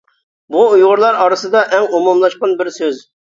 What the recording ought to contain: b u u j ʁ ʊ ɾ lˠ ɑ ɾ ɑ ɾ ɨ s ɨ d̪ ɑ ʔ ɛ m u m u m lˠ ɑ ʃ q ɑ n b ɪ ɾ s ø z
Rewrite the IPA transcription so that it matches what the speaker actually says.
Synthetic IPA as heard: b u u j ʁ ʊ ɾ lˠ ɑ ɾ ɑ ɾ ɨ s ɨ d̪ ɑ ʔ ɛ ŋ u m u m lˠ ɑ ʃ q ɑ n b ɪ ɾ s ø z